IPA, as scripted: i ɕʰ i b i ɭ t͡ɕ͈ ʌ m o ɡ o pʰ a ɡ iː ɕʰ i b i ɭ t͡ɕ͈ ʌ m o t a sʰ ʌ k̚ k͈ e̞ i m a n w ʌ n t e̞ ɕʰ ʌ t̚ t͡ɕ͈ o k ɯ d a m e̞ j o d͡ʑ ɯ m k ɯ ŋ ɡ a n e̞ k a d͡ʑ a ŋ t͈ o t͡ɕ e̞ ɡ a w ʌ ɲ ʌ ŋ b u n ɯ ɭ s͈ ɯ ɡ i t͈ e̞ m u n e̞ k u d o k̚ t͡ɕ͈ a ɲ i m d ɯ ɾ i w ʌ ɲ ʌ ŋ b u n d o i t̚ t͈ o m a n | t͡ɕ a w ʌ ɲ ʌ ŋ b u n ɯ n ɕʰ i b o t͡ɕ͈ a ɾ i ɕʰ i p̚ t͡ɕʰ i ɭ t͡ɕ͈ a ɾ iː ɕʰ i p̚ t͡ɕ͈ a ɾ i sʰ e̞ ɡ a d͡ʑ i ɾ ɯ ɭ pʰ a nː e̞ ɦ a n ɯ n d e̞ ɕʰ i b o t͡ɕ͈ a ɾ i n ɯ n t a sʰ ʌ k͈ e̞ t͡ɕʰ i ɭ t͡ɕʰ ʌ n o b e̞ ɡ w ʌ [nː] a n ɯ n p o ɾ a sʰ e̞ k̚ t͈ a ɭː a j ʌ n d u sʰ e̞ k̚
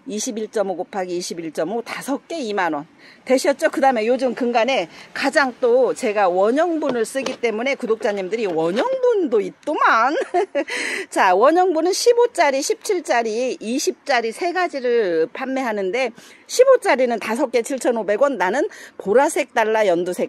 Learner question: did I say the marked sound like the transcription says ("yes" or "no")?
yes